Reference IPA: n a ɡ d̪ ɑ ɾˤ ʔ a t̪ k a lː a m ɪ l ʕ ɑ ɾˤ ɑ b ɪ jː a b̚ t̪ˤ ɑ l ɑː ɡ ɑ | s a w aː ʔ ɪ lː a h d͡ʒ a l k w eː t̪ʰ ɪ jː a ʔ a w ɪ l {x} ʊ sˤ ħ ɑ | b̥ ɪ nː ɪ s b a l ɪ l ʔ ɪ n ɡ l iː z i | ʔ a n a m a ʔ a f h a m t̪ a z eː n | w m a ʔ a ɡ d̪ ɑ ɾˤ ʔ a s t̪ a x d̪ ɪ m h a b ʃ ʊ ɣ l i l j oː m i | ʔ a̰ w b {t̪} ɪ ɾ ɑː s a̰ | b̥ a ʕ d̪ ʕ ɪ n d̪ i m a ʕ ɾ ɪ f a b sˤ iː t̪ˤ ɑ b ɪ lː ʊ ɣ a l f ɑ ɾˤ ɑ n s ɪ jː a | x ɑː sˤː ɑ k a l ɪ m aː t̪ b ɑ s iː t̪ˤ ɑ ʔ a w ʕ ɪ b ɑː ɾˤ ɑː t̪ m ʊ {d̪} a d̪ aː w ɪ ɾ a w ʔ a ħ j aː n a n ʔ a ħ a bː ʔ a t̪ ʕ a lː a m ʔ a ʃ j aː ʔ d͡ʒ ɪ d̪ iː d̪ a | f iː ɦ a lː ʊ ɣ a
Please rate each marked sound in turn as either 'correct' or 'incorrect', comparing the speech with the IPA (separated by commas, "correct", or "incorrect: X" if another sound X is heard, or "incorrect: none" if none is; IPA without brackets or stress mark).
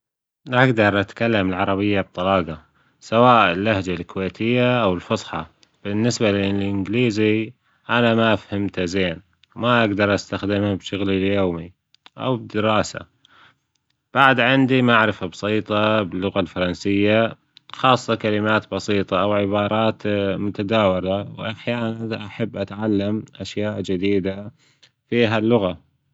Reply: incorrect: f, incorrect: d̪, incorrect: t̪